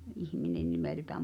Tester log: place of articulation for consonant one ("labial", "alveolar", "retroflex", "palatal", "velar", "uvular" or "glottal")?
glottal